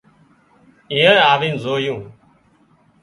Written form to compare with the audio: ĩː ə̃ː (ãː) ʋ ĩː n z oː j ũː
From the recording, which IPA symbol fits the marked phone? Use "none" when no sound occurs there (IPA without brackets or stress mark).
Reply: aː